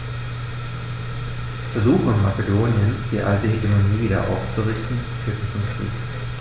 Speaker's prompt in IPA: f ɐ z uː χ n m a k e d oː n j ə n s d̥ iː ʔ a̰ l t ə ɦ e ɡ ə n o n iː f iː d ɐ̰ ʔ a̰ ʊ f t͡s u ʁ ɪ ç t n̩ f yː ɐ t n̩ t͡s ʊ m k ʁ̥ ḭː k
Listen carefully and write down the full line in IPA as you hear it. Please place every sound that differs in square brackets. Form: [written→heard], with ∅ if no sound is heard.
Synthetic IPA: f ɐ z uː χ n m a k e d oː n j ə n s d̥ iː ʔ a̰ l t ə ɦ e ɡ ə [n→m] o n iː [f→v] iː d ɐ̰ ʔ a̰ ʊ f t͡s u ʁ ɪ ç t n̩ f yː ɐ t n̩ t͡s ʊ m k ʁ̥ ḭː k

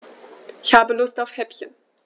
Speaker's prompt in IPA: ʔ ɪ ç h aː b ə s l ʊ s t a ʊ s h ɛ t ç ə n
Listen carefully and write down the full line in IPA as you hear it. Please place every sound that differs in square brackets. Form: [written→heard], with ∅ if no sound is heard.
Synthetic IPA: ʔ ɪ ç h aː b ə [s→∅] l ʊ s t a ʊ [s→f] h ɛ [t→p] ç ə n

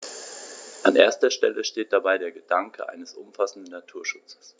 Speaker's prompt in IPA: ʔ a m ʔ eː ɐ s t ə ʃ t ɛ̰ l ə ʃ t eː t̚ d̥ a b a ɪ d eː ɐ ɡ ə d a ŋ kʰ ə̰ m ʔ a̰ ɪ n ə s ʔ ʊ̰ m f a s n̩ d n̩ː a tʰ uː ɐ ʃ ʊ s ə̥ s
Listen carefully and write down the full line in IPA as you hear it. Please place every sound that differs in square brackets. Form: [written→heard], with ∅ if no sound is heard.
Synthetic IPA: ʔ a [m→n] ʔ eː ɐ s t [ə→ɐ] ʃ t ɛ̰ l ə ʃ t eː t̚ d̥ a b a ɪ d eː ɐ ɡ ə d a ŋ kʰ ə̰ [m→∅] ʔ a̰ ɪ n ə s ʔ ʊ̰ m f a s n̩ d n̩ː a tʰ uː ɐ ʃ ʊ [s→t͡s] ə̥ s

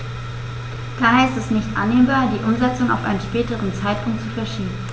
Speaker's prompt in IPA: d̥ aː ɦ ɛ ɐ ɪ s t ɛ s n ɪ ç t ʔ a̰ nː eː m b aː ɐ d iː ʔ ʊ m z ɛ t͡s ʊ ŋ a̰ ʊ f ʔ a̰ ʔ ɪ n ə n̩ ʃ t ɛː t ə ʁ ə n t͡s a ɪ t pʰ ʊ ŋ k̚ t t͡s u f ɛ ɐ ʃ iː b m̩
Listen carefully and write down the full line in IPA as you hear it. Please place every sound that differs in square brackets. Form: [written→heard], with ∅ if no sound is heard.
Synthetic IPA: d̥ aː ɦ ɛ ɐ ɪ s t ɛ s n ɪ ç t ʔ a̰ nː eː m b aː ɐ d iː ʔ ʊ m z ɛ t͡s ʊ ŋ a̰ ʊ f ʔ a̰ [ʔ→∅] ɪ n ə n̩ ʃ [t→p] ɛː t ə ʁ ə n t͡s a ɪ t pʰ ʊ ŋ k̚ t t͡s u f ɛ ɐ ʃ iː b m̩

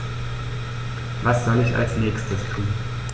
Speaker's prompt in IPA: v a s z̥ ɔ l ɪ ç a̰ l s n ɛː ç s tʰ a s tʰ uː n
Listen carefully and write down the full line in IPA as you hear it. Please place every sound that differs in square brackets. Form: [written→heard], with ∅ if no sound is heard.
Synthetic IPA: v a s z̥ ɔ l ɪ ç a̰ l s n ɛː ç s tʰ [a→ə] s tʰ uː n

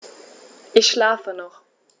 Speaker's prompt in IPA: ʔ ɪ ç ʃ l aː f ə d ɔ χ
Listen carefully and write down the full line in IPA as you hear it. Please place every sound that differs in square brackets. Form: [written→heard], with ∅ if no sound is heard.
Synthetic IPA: ʔ ɪ ç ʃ l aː f ə [d→n] ɔ χ

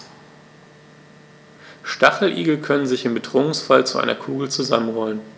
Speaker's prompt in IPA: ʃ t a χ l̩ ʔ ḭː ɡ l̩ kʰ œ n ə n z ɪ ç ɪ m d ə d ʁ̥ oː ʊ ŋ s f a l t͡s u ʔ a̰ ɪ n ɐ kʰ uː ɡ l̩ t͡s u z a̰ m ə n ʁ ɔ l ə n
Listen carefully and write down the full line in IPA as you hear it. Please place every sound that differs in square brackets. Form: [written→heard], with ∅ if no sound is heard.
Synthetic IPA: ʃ t a χ l̩ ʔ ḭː ɡ l̩ kʰ œ n ə n z ɪ ç ɪ m [d→b] ə d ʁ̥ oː ʊ ŋ s f a l t͡s u ʔ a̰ ɪ n ɐ kʰ uː ɡ l̩ t͡s u z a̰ m ə n ʁ ɔ l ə n

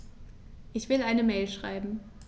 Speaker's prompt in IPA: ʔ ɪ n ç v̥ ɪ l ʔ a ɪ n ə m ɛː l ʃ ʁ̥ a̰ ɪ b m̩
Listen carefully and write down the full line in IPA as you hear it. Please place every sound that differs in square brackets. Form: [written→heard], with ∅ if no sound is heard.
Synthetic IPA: ʔ ɪ [n→∅] ç v̥ ɪ l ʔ a ɪ n ə m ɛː l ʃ ʁ̥ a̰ ɪ b m̩

